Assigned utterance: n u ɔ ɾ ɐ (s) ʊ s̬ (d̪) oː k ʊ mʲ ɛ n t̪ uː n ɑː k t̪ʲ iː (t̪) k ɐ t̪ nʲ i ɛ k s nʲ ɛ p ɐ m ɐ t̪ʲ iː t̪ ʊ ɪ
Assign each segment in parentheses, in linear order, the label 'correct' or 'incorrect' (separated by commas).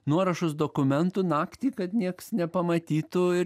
incorrect, correct, incorrect